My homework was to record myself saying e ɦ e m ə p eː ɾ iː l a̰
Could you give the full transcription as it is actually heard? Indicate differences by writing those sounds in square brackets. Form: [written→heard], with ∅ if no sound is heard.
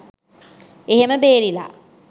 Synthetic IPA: e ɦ e m ə [p→b] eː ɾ [iː→i] l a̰